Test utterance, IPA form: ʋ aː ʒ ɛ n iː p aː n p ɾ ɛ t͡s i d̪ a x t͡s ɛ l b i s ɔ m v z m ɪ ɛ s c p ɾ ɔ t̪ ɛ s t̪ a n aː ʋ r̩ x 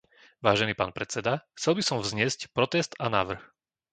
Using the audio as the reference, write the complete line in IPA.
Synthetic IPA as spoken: ʋ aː ʒ ɛ n iː p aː n p ɾ ɛ t͡s ɛ d̪ a x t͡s ɛ l b i s ɔ m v z ɲ ɪ ɛ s c p ɾ ɔ t̪ ɛ s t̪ a n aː ʋ r̩ x